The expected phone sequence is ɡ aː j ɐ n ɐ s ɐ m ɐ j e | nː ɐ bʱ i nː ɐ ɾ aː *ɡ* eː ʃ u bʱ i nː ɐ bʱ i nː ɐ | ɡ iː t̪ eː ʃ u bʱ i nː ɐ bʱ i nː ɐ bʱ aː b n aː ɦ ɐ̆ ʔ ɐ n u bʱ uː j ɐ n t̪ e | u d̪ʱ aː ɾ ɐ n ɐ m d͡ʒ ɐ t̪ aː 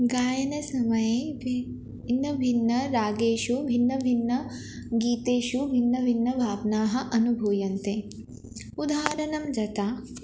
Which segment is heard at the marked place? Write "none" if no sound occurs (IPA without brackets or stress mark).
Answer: ɡ